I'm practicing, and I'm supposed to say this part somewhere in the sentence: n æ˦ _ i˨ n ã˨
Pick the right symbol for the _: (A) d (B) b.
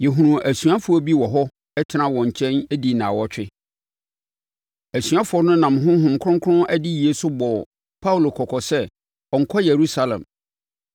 A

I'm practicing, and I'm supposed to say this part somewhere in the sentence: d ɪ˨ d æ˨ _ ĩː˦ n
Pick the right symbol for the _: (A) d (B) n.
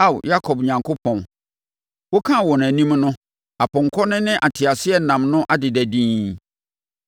A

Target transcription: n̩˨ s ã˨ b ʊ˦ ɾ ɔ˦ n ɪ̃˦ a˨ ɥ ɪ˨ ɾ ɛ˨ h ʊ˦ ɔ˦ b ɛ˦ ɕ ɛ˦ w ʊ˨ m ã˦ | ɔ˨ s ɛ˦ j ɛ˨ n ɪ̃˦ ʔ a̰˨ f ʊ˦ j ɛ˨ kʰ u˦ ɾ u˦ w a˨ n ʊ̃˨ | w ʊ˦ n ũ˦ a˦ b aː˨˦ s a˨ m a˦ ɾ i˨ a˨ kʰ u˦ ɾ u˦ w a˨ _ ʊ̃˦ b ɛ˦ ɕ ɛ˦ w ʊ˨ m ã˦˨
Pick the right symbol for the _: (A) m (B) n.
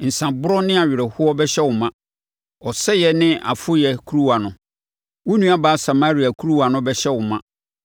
B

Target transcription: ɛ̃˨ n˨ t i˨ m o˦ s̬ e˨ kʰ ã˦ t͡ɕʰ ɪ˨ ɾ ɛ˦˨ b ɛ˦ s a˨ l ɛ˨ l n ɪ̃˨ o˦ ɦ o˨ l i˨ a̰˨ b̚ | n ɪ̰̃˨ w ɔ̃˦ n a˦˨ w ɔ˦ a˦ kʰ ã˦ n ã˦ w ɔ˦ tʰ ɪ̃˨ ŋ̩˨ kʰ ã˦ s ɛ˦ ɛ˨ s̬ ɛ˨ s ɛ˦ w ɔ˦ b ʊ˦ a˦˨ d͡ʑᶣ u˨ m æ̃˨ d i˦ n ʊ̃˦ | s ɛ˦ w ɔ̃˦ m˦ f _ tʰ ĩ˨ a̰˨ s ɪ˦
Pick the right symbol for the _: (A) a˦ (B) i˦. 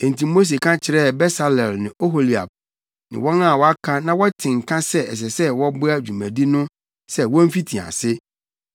B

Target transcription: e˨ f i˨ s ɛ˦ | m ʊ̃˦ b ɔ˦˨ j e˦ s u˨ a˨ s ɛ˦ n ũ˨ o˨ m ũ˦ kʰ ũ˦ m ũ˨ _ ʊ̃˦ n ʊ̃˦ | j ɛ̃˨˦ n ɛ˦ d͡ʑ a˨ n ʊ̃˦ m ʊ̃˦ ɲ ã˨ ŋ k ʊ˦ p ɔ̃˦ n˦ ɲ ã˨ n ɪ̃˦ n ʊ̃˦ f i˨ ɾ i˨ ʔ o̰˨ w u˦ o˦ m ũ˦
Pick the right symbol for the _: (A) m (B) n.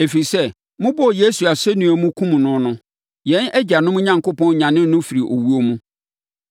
B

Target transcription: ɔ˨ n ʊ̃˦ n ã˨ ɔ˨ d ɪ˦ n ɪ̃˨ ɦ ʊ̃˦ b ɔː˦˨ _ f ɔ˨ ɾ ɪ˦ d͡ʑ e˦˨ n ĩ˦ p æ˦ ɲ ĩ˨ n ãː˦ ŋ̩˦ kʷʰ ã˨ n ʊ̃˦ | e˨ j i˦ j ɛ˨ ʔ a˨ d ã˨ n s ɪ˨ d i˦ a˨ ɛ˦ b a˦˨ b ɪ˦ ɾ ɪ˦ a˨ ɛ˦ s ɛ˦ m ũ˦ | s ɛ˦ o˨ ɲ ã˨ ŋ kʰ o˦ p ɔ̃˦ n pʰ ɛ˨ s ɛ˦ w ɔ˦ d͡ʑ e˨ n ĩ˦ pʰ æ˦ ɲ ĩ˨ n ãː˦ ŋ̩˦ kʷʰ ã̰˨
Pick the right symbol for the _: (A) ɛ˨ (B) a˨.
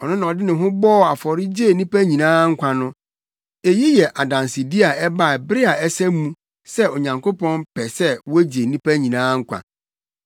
B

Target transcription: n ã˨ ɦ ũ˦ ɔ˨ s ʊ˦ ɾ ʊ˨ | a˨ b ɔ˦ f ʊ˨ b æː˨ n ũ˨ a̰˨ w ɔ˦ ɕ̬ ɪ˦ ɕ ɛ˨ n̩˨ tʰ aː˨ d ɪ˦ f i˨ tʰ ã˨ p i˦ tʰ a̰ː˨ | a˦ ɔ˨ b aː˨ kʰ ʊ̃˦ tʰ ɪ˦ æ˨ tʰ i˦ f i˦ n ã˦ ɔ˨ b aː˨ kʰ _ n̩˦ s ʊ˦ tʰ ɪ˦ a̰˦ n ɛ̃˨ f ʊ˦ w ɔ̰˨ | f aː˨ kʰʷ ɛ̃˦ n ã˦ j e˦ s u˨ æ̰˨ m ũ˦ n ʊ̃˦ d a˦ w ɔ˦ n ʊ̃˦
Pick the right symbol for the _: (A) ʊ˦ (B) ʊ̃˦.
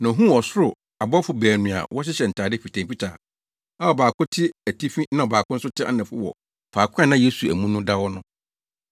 A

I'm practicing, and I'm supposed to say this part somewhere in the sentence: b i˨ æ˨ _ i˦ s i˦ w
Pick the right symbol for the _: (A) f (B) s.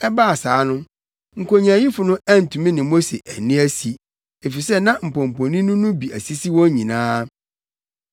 B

